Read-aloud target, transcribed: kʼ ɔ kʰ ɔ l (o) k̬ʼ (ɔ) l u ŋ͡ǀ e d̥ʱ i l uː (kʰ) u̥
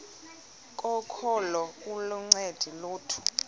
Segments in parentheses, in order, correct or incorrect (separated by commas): incorrect, incorrect, incorrect